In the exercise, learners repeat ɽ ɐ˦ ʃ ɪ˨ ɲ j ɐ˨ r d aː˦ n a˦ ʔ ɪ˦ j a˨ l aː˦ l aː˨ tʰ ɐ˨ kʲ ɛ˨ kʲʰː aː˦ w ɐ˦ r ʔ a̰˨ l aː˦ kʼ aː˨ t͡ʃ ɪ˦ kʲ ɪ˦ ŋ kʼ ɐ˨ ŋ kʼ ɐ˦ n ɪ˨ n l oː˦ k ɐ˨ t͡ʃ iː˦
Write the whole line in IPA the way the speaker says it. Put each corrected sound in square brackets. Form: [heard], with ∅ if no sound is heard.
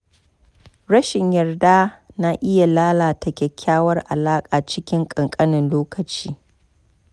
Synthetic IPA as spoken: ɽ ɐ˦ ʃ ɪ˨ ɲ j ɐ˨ r d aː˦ n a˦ ʔ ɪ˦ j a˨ l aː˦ l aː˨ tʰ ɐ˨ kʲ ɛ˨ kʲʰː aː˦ w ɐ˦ r ʔ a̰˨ l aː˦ kʼ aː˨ t͡ʃ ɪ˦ kʲ ɪ˦ ŋ kʼ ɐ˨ ŋ kʼ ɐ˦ n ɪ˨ n l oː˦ k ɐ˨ t͡ʃ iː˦